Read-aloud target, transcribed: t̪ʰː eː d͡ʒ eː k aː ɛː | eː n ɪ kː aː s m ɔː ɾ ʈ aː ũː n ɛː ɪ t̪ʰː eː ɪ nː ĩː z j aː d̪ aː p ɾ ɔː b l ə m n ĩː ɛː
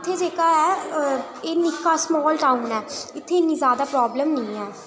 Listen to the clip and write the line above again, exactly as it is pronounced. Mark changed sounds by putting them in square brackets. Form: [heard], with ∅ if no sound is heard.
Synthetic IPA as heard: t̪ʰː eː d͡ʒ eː k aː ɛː | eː n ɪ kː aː s m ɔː [l] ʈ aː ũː n ɛː ɪ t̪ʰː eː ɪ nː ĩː z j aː d̪ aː p ɾ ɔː b l ə m n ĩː ɛː